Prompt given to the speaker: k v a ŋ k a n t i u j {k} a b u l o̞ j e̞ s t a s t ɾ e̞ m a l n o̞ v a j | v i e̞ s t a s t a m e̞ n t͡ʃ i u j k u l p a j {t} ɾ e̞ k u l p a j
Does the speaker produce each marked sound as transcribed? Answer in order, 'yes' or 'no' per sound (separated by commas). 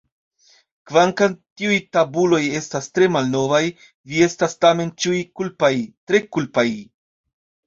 no, yes